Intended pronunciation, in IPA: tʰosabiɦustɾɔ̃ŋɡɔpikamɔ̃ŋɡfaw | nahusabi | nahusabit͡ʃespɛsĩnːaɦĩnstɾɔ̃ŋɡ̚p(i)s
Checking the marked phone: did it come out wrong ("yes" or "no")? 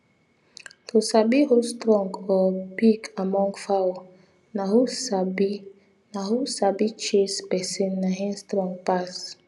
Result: yes